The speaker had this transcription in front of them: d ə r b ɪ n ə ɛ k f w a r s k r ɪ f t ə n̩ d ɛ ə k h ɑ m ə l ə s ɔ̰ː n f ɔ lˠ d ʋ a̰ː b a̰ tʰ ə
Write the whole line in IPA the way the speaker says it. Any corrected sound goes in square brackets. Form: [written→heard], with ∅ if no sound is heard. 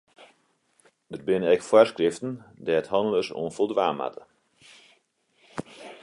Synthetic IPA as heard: d ə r b ɪ n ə ɛ k f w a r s k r ɪ f t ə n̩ d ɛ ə [k→t] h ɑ [m→n] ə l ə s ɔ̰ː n f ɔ lˠ d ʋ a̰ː [b→m] a̰ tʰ ə